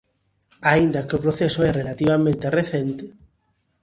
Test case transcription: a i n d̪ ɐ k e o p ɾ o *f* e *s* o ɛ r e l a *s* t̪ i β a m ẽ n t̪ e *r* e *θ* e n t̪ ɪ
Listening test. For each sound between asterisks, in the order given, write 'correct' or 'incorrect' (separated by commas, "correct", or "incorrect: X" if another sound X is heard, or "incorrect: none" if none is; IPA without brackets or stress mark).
incorrect: θ, correct, incorrect: none, correct, correct